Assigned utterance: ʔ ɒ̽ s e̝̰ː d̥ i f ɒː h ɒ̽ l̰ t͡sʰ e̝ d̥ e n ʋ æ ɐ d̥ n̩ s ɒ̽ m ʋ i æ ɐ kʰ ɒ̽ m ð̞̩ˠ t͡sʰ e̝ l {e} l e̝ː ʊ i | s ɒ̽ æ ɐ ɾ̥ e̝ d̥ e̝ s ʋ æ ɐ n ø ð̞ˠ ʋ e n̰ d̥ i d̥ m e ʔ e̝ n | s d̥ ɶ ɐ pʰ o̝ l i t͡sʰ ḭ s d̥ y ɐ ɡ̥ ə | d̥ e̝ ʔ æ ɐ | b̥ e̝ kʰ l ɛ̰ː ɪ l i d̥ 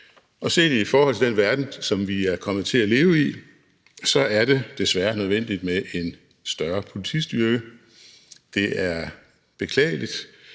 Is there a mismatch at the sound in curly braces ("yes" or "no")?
yes